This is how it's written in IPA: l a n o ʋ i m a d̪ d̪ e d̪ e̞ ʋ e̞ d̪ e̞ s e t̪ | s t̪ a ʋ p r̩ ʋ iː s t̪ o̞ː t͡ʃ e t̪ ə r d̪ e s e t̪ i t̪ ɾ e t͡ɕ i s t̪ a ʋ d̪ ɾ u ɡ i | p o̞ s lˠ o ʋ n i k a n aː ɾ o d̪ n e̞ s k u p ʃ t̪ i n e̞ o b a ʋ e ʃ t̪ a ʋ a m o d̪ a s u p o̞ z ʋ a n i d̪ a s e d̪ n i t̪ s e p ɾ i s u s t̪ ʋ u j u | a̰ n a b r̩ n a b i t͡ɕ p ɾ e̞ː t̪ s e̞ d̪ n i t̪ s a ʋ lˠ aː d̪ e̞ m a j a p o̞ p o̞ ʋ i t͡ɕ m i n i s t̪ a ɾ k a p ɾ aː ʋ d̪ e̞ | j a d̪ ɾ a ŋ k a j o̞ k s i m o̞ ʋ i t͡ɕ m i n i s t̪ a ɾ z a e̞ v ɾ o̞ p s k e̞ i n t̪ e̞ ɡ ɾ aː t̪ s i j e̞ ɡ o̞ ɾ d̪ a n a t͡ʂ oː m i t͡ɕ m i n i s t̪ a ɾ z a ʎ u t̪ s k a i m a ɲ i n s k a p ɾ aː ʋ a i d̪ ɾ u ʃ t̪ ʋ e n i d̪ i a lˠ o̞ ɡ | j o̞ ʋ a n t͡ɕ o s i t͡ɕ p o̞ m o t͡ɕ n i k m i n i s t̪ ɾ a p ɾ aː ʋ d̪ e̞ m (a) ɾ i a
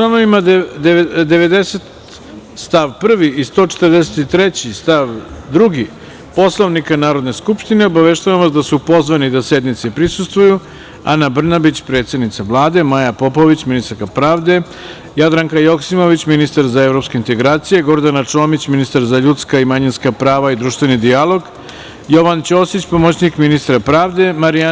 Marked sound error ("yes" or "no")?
no